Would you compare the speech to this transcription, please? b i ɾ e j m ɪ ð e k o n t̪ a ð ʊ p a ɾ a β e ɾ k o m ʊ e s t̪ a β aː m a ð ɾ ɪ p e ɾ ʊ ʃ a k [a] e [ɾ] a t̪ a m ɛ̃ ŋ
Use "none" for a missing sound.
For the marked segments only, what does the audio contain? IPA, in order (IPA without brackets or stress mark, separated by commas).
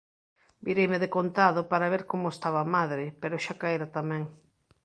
a, ɾ